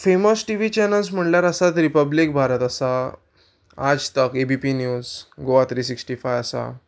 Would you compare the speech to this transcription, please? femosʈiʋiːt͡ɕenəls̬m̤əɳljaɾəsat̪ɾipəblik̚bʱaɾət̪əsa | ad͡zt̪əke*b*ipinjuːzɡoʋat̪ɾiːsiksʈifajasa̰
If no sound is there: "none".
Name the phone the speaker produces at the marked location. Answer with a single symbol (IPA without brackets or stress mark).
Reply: b